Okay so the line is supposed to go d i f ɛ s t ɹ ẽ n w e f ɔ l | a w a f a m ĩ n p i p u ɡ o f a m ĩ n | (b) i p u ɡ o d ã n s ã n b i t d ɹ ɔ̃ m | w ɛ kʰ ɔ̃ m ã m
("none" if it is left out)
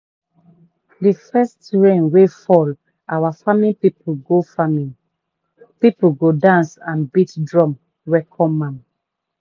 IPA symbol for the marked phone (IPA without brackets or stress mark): p